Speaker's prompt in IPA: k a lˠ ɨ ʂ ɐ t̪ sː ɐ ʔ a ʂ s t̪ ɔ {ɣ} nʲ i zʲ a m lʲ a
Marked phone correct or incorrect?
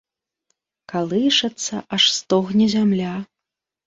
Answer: correct